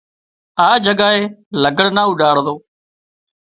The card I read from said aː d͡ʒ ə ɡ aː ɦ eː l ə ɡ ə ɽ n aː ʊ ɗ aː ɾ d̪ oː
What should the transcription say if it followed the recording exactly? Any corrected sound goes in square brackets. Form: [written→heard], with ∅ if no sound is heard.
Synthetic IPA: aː d͡ʒ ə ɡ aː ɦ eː l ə ɡ ə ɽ n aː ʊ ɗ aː [ɾ→ɽ] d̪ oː